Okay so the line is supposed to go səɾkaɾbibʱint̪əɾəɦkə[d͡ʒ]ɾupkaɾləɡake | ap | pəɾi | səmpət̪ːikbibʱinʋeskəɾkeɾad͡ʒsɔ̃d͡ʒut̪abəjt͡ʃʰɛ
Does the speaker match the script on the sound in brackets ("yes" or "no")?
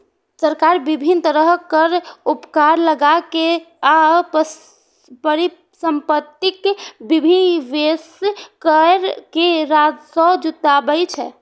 no